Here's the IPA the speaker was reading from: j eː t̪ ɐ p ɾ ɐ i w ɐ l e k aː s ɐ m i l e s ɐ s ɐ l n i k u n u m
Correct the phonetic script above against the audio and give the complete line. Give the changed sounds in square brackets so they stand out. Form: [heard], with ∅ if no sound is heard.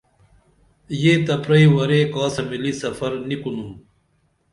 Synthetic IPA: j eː t̪ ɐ p ɾ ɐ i w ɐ [ɾ] e k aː s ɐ m i l [i] s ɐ [f] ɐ [ɾ] n i k u n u m